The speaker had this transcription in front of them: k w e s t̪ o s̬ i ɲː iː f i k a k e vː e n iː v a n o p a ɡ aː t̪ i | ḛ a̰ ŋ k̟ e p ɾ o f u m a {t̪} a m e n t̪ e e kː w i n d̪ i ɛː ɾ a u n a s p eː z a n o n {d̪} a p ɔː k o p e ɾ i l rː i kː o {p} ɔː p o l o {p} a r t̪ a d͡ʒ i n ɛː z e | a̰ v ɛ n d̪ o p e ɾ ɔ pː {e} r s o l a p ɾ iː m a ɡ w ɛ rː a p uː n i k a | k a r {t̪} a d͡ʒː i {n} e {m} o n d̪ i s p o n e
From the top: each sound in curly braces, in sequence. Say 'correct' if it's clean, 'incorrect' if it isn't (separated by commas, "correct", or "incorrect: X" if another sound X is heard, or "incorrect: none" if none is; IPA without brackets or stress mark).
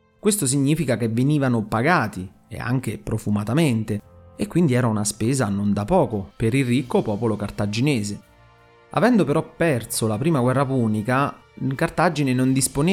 correct, correct, correct, incorrect: k, incorrect: ɛ, correct, correct, incorrect: n